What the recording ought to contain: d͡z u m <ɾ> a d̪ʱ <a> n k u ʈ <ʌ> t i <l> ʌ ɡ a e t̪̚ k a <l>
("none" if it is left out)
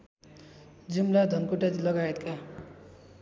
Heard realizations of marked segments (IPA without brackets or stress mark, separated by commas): l, ʌ, a, l, none